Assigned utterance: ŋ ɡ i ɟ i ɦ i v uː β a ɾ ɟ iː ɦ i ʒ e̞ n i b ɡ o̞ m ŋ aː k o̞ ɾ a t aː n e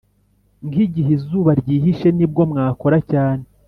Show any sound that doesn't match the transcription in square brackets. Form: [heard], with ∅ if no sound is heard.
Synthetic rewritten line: ŋ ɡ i ɟ i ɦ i [z] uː β a ɾ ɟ iː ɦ i [ʃ] e̞ n i b ɡ o̞ m ŋ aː k o̞ ɾ a [c] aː n e